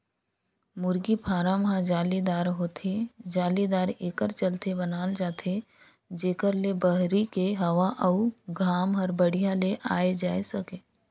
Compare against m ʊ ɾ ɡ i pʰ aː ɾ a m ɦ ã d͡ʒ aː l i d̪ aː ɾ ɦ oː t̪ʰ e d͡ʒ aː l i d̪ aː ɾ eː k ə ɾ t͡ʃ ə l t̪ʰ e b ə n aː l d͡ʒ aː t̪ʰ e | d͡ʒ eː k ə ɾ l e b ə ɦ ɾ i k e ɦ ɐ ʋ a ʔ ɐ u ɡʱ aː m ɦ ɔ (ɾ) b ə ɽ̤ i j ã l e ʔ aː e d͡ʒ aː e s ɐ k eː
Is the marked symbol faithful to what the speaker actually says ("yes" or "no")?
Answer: yes